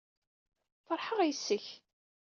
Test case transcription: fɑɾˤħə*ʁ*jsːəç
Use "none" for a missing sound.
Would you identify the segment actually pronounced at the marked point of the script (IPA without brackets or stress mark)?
ʁ